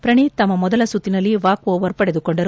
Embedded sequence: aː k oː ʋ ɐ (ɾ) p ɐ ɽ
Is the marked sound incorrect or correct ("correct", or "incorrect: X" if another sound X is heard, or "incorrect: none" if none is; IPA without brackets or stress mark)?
correct